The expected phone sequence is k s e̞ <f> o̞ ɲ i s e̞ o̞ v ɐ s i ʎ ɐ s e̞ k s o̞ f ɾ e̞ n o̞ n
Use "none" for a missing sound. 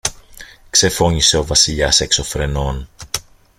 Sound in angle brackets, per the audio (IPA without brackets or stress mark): f